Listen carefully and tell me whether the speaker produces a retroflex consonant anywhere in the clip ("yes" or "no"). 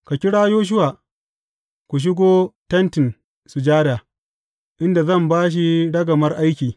yes